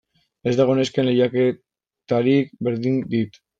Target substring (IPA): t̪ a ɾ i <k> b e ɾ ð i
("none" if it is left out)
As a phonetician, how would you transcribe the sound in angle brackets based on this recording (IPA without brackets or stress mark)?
k